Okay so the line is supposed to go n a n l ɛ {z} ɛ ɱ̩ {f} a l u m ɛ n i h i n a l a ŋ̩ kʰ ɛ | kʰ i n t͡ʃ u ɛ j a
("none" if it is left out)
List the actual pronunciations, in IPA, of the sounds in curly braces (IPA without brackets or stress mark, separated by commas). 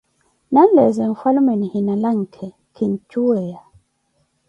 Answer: z, f